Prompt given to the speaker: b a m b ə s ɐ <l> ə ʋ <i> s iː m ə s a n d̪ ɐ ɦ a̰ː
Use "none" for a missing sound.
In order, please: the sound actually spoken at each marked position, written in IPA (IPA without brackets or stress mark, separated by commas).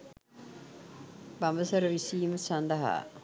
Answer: ɾ, i